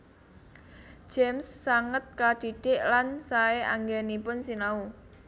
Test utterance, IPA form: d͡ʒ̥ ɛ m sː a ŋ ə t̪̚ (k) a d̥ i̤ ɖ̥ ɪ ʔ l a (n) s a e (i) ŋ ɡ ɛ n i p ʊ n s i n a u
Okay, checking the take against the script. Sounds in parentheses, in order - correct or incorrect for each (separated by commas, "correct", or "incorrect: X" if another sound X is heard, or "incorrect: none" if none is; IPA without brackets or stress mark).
correct, correct, incorrect: a